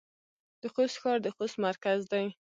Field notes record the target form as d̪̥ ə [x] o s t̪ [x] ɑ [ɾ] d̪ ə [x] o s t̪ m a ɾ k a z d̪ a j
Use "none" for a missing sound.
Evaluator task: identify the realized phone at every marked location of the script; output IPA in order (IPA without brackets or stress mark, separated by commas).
x, x, ɾ, x